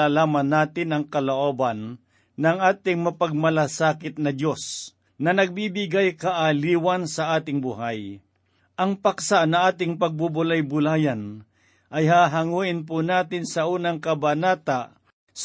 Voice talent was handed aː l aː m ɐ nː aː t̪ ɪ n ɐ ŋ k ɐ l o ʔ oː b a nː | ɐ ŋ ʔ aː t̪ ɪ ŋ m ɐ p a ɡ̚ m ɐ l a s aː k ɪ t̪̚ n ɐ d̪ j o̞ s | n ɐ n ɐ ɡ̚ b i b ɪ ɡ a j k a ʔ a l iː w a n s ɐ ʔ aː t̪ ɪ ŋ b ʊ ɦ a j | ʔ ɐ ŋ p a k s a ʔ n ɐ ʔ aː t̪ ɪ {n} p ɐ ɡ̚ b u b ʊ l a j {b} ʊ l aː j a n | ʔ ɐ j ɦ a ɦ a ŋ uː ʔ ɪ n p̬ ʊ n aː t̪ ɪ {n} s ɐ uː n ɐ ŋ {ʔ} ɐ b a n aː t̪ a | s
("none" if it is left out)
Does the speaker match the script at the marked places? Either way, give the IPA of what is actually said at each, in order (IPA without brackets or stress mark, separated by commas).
ŋ, b, n, k